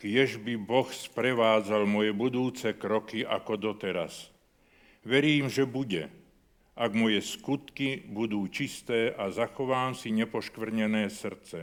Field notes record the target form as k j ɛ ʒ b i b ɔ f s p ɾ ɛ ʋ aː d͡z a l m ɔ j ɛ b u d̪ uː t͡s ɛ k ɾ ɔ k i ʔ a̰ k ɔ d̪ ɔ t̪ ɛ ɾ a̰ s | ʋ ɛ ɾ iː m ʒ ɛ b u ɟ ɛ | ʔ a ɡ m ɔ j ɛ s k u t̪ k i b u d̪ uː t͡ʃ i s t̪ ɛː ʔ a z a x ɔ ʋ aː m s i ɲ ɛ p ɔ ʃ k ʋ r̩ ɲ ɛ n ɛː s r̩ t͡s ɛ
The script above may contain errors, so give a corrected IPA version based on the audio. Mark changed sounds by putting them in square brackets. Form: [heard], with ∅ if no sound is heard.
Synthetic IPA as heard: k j ɛ ʒ b i b ɔ [x] s p ɾ ɛ ʋ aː d͡z a l m ɔ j ɛ b u d̪ uː t͡s ɛ k ɾ ɔ k i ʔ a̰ k ɔ d̪ ɔ t̪ ɛ ɾ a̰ s | ʋ ɛ ɾ iː m ʒ ɛ b u ɟ ɛ | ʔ a ɡ m ɔ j ɛ s k u t̪ k i b u d̪ uː t͡ʃ i s t̪ ɛː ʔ a z a x ɔ ʋ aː m s i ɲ ɛ p ɔ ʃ k ʋ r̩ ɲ ɛ n ɛː s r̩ t͡s ɛ